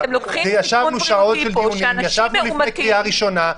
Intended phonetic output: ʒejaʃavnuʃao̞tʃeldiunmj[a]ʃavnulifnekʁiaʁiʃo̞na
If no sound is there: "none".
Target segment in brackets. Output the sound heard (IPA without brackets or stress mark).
a